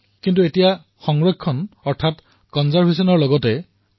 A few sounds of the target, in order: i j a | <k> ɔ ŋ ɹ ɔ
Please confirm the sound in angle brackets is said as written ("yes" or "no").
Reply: no